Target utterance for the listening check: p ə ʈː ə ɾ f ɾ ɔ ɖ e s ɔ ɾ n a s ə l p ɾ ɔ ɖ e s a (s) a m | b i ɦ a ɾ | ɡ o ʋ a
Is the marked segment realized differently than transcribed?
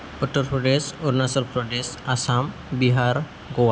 no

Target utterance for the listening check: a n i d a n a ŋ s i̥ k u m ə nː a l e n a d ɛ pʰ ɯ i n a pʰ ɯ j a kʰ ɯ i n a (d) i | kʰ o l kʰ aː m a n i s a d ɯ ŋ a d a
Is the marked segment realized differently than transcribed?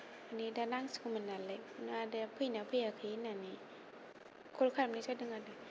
yes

